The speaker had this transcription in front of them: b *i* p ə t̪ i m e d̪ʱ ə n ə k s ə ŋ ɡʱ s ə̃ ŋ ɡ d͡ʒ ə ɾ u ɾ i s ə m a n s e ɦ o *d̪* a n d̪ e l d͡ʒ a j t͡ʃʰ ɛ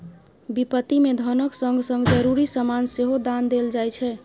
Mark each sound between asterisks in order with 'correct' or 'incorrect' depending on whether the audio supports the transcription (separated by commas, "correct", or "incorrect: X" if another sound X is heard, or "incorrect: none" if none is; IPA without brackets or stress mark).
correct, correct